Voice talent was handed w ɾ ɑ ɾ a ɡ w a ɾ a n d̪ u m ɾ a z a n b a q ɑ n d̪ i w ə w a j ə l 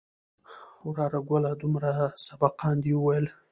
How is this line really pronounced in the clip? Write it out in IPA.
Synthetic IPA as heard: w ɾ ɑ ɾ a ɡ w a l a d̪ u m ɾ a s a b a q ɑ n d̪ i w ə w a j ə l